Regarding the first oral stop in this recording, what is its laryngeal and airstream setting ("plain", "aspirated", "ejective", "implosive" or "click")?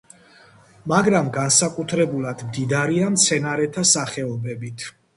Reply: plain